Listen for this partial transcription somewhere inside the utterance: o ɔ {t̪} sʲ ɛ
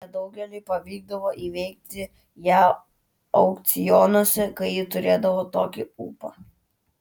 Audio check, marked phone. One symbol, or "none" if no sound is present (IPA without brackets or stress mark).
none